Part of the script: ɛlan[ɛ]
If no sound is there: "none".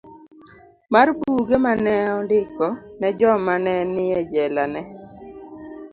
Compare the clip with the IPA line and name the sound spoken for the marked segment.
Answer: ɛ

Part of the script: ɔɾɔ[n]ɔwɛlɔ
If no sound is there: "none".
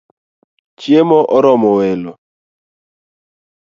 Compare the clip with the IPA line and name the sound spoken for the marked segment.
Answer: m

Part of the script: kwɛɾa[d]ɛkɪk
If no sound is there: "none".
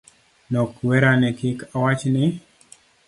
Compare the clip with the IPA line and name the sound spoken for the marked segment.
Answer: n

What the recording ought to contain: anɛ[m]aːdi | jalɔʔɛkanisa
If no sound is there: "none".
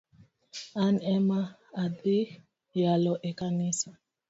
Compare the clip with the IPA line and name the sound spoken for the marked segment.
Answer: m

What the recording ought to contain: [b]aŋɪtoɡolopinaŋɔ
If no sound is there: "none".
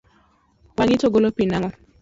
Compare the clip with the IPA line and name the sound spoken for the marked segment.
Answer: w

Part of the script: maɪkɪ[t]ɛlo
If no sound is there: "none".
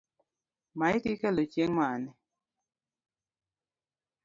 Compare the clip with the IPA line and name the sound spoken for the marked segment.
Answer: k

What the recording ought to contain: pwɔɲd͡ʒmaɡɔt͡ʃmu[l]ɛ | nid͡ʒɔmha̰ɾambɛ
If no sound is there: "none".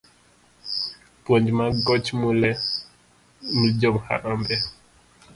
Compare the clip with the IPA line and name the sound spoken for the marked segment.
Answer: l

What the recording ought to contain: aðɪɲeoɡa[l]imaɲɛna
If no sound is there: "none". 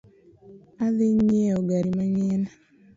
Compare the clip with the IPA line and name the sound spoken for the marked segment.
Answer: ɾ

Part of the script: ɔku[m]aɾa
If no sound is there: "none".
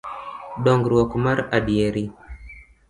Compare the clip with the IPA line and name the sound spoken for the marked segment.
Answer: m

